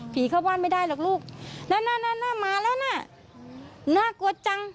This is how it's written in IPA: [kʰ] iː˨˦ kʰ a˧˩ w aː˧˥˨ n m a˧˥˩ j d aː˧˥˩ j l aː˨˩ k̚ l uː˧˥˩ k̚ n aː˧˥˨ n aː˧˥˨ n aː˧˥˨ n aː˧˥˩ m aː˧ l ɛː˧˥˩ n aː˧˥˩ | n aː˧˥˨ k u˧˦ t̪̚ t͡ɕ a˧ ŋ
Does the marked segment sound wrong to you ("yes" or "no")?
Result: yes